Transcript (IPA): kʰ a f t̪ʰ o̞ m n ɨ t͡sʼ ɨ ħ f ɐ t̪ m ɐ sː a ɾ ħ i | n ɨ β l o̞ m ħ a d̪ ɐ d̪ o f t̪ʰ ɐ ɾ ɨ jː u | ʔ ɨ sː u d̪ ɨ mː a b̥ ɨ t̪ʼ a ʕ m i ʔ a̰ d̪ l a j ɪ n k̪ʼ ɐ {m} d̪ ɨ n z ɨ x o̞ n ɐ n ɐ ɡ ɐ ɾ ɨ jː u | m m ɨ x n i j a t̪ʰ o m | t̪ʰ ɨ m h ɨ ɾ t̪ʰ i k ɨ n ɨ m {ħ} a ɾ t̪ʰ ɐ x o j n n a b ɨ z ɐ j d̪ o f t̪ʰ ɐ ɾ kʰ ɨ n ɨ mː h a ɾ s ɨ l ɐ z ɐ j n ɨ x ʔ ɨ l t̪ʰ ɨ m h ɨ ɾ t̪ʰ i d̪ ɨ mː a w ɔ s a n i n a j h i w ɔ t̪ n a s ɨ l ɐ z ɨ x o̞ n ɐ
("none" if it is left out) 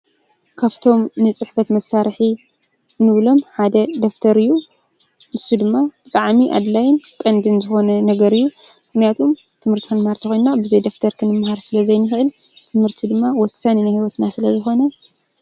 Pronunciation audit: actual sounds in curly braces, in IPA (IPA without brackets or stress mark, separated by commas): n, h